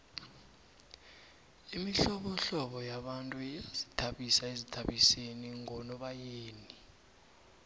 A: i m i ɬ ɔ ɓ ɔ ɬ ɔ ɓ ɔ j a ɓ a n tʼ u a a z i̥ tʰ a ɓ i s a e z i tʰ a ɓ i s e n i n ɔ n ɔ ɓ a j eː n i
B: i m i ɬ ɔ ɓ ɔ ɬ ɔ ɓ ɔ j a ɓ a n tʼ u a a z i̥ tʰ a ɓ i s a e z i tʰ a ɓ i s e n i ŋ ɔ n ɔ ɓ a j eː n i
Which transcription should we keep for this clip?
B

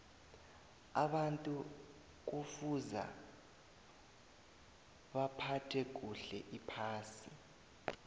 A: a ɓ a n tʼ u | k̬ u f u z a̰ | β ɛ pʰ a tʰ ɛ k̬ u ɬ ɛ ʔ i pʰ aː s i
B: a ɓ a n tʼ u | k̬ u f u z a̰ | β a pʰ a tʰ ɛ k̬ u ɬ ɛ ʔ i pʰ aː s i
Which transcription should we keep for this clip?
B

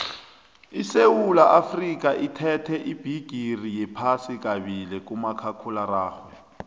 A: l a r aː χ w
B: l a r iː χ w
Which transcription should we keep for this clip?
A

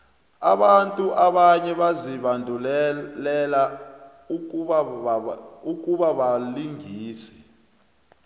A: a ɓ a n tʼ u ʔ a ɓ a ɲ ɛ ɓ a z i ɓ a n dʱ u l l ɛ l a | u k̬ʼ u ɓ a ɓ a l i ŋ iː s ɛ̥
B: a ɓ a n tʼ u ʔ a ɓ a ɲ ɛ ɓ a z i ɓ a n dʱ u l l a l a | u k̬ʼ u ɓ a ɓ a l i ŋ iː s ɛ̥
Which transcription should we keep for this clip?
A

